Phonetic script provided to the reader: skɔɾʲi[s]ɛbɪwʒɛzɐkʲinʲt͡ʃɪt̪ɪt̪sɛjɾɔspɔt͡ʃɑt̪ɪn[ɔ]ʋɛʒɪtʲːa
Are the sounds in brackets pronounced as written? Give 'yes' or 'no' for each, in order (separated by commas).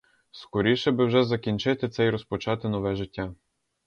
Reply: no, yes